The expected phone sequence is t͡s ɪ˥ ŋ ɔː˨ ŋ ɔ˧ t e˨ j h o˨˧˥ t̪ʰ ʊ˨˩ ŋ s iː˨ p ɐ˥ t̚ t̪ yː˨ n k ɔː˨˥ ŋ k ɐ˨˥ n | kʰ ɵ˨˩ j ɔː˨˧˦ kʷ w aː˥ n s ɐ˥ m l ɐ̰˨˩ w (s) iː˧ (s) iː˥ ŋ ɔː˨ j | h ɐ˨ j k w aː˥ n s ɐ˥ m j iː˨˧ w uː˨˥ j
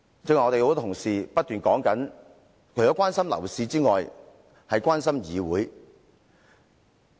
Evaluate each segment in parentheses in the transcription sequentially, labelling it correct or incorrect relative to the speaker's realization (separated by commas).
correct, incorrect